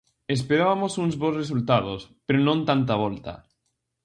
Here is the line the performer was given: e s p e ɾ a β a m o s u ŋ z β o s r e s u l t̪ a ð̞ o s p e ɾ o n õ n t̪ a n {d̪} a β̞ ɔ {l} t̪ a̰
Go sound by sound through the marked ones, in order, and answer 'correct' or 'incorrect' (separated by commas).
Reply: incorrect, correct